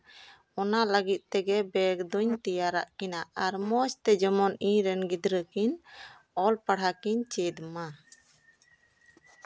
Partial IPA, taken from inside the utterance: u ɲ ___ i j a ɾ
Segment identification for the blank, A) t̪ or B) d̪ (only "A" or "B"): A